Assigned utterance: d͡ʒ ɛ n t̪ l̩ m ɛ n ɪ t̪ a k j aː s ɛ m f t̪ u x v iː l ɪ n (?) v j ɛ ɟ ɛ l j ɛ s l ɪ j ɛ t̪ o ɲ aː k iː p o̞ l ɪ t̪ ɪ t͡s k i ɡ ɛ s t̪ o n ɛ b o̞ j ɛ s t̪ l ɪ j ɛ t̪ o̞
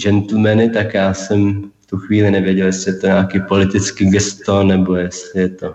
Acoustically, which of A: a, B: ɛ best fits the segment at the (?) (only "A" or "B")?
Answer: B